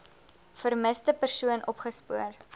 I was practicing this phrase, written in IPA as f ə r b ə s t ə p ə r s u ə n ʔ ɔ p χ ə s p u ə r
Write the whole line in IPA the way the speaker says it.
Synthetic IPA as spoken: f ə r m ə s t ə p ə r s u ə n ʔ ɔ p χ ə s p u ə r